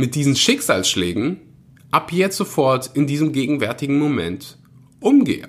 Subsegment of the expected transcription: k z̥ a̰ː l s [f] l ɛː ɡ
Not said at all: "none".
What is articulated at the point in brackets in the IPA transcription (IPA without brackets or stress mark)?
ʃ